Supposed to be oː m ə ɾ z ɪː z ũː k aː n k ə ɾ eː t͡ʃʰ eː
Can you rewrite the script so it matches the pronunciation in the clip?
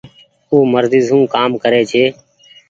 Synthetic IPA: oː m ə ɾ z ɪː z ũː k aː m k ə ɾ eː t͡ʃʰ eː